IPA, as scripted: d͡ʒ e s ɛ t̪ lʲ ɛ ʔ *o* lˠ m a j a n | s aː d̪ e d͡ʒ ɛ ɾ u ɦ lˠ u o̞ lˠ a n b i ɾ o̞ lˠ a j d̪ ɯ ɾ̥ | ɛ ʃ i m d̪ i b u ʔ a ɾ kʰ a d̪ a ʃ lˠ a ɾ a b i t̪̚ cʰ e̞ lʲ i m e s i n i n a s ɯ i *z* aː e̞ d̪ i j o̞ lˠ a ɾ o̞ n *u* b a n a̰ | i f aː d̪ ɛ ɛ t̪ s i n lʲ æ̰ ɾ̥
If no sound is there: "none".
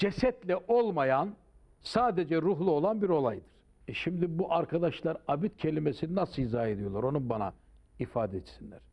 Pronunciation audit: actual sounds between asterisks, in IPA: o, z, u

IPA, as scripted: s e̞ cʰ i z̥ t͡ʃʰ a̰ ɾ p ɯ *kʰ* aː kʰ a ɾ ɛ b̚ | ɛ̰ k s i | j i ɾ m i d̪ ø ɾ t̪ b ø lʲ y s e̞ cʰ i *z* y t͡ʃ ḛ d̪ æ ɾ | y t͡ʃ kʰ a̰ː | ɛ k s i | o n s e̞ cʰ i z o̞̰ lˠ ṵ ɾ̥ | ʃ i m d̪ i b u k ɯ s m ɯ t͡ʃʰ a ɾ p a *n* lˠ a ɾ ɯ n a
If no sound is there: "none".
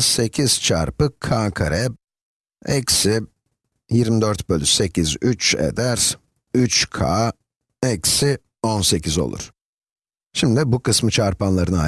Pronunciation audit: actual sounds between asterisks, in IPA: kʰ, z, n

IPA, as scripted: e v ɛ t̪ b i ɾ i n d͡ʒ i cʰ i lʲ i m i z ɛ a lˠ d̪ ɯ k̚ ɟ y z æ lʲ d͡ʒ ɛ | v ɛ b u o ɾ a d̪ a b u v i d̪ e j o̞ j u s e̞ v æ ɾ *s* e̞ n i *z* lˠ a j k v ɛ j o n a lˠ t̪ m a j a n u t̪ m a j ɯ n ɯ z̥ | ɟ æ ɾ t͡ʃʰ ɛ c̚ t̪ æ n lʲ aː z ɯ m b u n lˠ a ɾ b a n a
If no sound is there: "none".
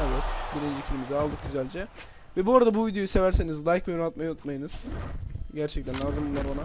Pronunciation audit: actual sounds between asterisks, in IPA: s, z

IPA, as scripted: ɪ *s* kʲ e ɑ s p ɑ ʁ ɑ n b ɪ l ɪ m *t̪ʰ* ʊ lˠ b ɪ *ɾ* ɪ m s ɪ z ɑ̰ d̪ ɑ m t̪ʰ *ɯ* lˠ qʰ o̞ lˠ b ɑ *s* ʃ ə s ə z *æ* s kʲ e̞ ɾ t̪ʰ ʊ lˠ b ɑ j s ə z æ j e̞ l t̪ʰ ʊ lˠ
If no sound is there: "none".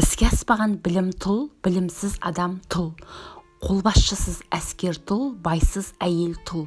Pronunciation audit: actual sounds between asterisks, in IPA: s, t̪ʰ, l, ʊ, s, æ

